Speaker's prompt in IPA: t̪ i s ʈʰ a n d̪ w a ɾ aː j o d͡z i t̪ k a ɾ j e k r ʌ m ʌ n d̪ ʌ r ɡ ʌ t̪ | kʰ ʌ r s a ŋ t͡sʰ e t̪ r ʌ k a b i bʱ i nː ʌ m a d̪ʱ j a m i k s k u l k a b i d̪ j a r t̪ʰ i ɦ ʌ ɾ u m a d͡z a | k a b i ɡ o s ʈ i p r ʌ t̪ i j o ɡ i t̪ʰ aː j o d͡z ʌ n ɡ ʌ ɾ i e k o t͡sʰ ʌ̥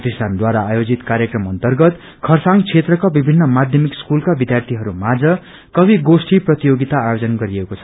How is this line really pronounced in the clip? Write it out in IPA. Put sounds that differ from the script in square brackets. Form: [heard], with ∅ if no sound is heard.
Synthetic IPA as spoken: t̪ i s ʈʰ a n d̪ w a ɾ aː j o d͡z i t̪ k a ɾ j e k r ʌ m ʌ n [t̪] ʌ r ɡ ʌ t̪ | kʰ ʌ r s a ŋ t͡sʰ e t̪ r ʌ k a b i bʱ i nː ʌ m a d̪ʱ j [ʌ] m i k s k u l k a b i d̪ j a r t̪ʰ i ɦ ʌ ɾ u m a d͡z [ʌ] | k [ʌ] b i ɡ o s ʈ i p r ʌ t̪ i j o ɡ i [t̪] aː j o d͡z ʌ n ɡ ʌ ɾ i e k o t͡sʰ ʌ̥